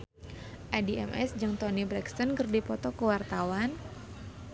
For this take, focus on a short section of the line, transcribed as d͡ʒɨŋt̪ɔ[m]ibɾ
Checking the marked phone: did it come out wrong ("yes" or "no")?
yes